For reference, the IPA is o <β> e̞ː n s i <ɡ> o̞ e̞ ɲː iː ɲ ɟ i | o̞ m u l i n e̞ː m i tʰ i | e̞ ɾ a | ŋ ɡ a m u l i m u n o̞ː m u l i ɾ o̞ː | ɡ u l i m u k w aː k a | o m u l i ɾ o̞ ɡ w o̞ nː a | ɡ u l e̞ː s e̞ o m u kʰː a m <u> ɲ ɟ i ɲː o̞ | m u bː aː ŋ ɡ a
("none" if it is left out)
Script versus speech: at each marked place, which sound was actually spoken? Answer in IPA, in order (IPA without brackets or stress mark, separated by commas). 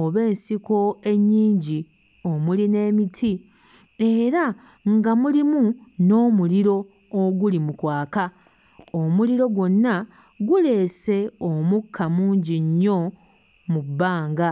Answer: β, k, uː